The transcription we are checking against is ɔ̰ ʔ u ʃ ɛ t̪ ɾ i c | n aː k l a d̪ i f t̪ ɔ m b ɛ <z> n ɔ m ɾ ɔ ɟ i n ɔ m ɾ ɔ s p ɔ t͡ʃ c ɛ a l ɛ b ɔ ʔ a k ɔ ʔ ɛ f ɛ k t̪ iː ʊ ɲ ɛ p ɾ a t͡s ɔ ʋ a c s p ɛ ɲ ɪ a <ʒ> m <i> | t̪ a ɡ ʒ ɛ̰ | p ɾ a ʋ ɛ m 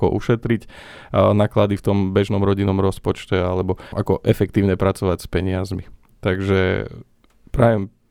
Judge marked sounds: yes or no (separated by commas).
no, no, yes